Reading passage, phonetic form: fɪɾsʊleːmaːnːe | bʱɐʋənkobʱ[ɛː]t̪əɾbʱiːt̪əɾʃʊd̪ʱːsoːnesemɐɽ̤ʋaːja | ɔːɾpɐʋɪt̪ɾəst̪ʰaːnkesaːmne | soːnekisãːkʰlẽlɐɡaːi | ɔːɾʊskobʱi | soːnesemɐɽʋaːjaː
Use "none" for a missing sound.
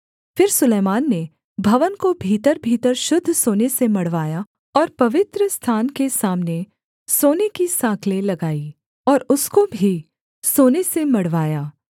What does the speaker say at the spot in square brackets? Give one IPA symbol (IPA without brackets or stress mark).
iː